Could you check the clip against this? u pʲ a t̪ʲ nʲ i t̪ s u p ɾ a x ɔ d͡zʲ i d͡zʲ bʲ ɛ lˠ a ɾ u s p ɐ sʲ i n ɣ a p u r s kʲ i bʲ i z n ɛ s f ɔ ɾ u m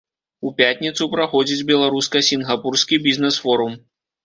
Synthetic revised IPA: u pʲ a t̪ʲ nʲ i t̪ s u p ɾ a x ɔ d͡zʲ i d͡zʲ bʲ ɛ lˠ a ɾ u s k ɐ sʲ i n ɣ a p u r s kʲ i bʲ i z n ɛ s f ɔ ɾ u m